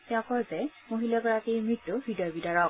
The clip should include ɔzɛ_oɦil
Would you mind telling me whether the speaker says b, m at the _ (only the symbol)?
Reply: m